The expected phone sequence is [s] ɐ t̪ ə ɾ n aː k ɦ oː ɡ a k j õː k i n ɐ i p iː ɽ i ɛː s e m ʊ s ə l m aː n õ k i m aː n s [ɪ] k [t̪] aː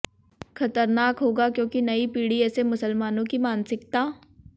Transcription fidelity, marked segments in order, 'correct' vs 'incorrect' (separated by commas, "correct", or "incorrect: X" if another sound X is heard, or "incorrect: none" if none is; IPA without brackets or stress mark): incorrect: x, correct, correct